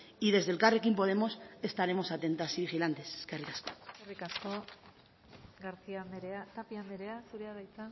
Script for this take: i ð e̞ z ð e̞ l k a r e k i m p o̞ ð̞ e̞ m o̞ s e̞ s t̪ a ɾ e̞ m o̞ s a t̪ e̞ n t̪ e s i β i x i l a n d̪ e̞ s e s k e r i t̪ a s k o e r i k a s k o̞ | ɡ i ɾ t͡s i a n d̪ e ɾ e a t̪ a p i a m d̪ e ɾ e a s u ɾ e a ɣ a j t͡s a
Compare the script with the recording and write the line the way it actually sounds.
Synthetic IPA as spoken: i ð e̞ z ð e̞ l k a r e k i m p o̞ ð̞ e̞ m o̞ s e̞ s t̪ a ɾ e̞ m o̞ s a t̪ e̞ n t̪ a s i β i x i l a n t̪ e̞ s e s k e r i t̪ a s k o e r i k a s k o̞ | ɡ a ɾ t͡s i a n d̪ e ɾ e a t̪ a p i a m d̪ e ɾ e a s u ɾ e a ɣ a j t͡s a

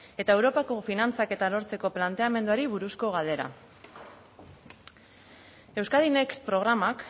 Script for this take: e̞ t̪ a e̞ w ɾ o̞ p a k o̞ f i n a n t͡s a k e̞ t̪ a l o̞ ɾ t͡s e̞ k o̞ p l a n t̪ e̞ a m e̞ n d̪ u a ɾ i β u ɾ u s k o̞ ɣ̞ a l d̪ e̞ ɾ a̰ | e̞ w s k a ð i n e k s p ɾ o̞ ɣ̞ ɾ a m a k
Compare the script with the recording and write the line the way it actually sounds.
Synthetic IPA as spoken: e̞ t̪ a e̞ w ɾ o̞ p a k o̞ f i n a n t͡s a k e̞ t̪ a l o̞ ɾ t͡s e̞ k o̞ p l a n t̪ e̞ a m e̞ n d̪ u a ɾ i β u ɾ u s k o̞ ɣ̞ a l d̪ e̞ ɾ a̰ | e̞ w s k a ð i n e k s p ɾ o̞ ɣ̞ ɾ a m a k

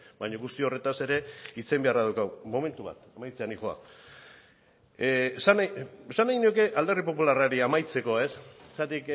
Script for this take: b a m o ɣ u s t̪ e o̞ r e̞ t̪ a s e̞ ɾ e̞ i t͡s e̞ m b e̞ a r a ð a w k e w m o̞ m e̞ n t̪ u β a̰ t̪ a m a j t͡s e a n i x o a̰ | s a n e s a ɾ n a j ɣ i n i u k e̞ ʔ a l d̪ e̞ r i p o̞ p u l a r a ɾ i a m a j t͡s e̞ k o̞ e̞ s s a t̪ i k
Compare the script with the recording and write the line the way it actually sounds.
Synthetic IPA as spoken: b a ɲ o ɣ u s t̪ i o̞ r e̞ t̪ a s e̞ ɾ e̞ i t͡s e̞ m b e̞ a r a ð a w k a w m o̞ m e̞ n t̪ u β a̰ t̪ a m a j t͡s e a n i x o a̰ | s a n e s a n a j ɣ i n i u k e̞ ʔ a l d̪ e̞ r i p o̞ p u l a r a ɾ i a m a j t͡s e̞ k o̞ e̞ s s a t̪ i k

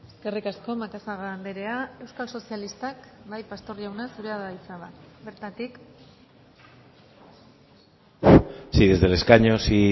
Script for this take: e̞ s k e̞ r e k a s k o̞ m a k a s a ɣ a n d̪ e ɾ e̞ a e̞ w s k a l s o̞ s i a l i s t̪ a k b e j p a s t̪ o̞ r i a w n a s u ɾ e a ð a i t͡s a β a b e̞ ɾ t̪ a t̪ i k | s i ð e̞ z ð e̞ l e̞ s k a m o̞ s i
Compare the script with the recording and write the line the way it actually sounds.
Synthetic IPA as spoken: e̞ s k e̞ r i k a s k o̞ m a k a s a ɣ a n d̪ e ɾ e̞ a e̞ w s k a l s o̞ s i a l i s t̪ a k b a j p a s t̪ o̞ r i a w n a s u ɾ e a ð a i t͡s a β a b e̞ ɾ t̪ a t̪ i k | s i ð e̞ z ð e̞ l e̞ s k a ɲ o̞ s i

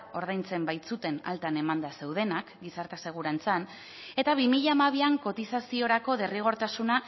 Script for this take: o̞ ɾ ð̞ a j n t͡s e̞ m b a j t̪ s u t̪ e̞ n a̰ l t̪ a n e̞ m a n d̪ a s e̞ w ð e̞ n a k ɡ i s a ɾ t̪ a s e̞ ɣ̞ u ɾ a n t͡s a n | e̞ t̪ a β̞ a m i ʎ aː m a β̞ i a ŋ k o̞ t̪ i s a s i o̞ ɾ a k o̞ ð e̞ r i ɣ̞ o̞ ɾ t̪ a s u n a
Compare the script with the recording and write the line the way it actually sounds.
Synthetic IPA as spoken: o̞ ɾ ð̞ a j n t͡s e̞ m b a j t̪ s u t̪ e̞ n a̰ l t̪ a n e̞ m a n d̪ a s e̞ w ð e̞ n a k ɡ i s a ɾ t̪ a s e̞ ɣ̞ u ɾ a n t͡s a n | e̞ t̪ a β̞ i m i ʎ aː m a β̞ i a ŋ k o̞ t̪ i s a s i o̞ ɾ a k o̞ ð e̞ r i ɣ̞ o̞ ɾ t̪ a s u n a

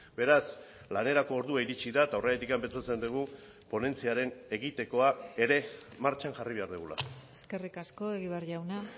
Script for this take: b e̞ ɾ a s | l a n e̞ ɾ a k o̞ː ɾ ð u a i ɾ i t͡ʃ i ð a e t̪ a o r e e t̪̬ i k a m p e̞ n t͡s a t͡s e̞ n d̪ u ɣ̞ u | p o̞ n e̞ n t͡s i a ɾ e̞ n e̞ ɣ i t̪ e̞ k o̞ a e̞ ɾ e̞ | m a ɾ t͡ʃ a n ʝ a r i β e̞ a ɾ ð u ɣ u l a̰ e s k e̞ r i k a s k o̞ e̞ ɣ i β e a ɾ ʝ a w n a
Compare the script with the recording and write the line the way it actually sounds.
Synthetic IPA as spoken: b e̞ ɾ a s | l a n e̞ ɾ a k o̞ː ɾ ð u a i ɾ i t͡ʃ i ð a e t̪ a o r e e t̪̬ i k a m p e̞ n t͡s a t͡s e̞ n d̪ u ɣ̞ u | p o̞ n e̞ n t͡s i a ɾ e̞ n e̞ ɣ i t̪ e̞ k o̞ a e̞ ɾ e̞ | m a ɾ t͡ʃ a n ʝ a r i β e̞ a ɾ ð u ɣ u l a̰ e s k e̞ r i k a s k o̞ e̞ ɣ i β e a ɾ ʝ a w n a

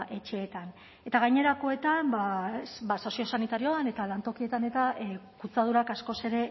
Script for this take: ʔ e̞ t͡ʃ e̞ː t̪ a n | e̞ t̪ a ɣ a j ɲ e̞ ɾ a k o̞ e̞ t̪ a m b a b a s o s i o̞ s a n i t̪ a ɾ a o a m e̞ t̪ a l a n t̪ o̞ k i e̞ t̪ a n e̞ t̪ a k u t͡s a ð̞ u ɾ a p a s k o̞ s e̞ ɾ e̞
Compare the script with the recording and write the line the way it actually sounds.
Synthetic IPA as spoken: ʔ e̞ t͡ʃ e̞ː t̪ a n | e̞ t̪ a ɣ a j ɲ e̞ ɾ a k o̞ e̞ t̪ a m b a b a s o s i o̞ s a n i t̪ a ɾ i o a n e̞ t̪ a l a n t̪ o̞ k i e̞ t̪ a n e̞ t̪ a k u t͡s a ð̞ u ɾ a k a s k o̞ s e̞ ɾ e̞

